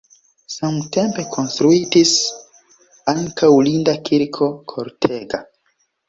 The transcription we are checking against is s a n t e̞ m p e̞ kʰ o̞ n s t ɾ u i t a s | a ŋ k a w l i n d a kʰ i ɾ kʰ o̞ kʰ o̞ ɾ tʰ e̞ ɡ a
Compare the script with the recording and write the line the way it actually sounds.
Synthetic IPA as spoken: s a m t e̞ m p e̞ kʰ o̞ n s t ɾ u i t i s | a ŋ k a w l i n d a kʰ i ɾ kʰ o̞ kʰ o̞ ɾ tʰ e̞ ɡ a